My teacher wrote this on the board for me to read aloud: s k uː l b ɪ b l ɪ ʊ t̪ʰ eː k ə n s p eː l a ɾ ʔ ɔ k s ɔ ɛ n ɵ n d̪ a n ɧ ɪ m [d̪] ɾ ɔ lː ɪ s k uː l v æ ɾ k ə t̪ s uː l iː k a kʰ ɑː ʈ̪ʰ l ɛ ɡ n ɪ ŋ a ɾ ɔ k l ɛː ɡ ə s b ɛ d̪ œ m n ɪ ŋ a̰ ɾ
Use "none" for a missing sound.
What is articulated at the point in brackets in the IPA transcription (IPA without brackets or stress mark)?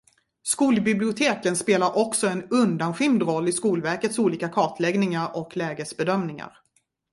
d̪